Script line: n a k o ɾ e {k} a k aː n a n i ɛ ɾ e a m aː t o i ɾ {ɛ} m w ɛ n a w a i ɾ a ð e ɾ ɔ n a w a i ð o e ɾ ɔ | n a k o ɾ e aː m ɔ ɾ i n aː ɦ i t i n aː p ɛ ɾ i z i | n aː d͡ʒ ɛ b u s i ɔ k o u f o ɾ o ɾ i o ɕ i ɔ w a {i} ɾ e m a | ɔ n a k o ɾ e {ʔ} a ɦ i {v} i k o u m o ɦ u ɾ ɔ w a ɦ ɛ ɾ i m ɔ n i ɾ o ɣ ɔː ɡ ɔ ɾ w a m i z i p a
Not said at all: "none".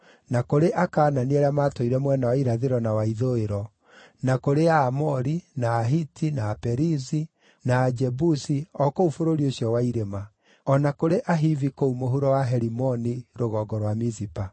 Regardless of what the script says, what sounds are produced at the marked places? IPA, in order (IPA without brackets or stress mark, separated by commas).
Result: ʔ, ɛ, i, ʔ, v